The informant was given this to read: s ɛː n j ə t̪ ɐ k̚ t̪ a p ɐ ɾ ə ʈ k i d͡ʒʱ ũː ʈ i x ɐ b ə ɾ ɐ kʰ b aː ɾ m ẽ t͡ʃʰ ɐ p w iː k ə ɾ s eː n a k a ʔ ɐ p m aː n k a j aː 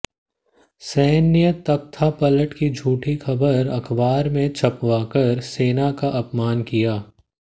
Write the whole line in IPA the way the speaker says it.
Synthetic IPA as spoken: s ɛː n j ə t̪ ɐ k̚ t̪ʰ a p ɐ l ə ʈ k i d͡ʒʱ uː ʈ i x ɐ b ə ɾ ɐ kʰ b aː ɾ m ẽ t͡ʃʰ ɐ p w aː k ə ɾ s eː n a k a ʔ ɐ p m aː n k i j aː